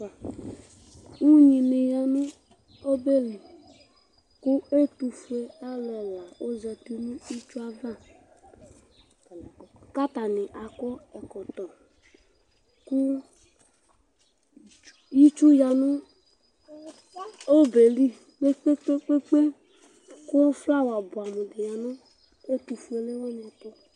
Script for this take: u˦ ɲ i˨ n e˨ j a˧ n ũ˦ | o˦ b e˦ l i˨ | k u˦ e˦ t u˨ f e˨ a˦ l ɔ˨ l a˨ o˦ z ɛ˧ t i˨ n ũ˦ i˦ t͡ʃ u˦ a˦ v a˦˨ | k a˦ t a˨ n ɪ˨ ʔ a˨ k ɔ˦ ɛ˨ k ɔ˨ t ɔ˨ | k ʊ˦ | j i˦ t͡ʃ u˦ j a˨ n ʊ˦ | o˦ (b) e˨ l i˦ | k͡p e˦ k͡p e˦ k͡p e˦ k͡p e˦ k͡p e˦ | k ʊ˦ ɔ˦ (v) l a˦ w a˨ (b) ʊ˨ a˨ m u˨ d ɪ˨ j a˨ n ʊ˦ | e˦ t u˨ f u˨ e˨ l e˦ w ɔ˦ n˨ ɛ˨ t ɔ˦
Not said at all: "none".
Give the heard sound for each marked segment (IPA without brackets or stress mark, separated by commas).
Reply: b, f, b